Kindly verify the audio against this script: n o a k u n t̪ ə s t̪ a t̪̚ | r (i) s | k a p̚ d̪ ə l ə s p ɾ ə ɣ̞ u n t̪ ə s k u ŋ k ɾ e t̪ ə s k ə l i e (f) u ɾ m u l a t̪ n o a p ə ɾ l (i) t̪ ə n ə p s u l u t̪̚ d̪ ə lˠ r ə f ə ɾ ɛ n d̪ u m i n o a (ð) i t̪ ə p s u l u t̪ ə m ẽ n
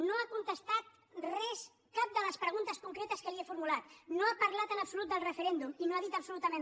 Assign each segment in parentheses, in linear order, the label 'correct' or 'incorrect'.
incorrect, correct, incorrect, correct

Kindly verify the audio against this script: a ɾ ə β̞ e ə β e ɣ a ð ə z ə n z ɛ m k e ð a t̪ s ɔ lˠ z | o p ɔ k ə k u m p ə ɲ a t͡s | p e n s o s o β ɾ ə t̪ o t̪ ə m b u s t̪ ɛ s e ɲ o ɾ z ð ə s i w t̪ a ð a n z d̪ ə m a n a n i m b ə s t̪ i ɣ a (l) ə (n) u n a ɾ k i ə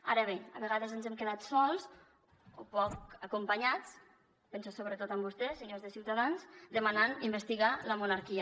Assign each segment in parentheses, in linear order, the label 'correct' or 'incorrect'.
correct, incorrect

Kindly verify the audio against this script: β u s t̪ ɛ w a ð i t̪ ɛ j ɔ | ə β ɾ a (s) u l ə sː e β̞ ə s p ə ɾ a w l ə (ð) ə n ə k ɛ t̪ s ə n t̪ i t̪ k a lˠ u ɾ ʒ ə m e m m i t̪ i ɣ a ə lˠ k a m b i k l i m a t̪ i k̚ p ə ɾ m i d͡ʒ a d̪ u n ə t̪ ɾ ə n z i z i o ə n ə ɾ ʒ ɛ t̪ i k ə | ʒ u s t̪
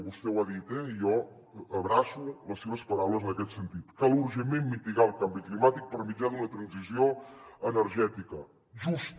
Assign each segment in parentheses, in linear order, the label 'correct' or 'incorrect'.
correct, incorrect

